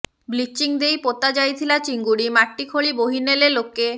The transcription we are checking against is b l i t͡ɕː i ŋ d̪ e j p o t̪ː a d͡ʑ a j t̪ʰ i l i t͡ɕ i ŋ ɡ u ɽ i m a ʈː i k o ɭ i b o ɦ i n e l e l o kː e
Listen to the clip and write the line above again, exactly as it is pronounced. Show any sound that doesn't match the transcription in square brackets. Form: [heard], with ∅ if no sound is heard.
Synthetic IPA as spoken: b l i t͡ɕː i ŋ d̪ e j p o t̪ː a d͡ʑ a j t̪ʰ i l [a] t͡ɕ i ŋ ɡ u ɽ i m a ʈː i [kʰ] o ɭ i b o ɦ i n e l e l o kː e

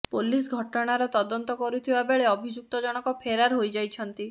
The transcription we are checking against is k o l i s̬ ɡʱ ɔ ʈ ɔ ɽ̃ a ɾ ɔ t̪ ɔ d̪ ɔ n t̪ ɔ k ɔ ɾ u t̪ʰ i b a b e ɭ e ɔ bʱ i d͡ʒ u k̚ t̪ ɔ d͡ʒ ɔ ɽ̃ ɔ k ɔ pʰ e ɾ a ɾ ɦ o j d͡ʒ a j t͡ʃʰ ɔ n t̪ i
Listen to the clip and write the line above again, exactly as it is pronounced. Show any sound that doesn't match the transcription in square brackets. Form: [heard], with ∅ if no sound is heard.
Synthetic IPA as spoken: [p] o l i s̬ ɡʱ ɔ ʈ ɔ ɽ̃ a ɾ ɔ t̪ ɔ d̪ ɔ n t̪ ɔ k ɔ ɾ u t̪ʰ i b a b e ɭ e ɔ bʱ i d͡ʒ u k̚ t̪ ɔ d͡ʒ ɔ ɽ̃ ɔ k ɔ pʰ e ɾ a ɾ ɦ o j d͡ʒ a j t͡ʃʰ ɔ n t̪ i

